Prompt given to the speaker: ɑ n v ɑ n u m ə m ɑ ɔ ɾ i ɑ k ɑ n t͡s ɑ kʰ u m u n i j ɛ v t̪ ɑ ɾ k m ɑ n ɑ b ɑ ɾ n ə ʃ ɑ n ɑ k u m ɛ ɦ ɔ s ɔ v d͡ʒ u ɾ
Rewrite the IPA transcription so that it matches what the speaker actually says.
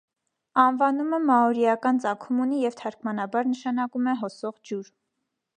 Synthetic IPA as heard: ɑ n v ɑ n u m ə m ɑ ɔ ɾ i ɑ k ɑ n t͡s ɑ kʰ u m u n i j ɛ v t̪ʰ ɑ ɾ k m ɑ n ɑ b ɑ ɾ n ə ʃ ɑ n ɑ k u m ɛ ɦ ɔ s ɔ ʁ d͡ʒ u ɾ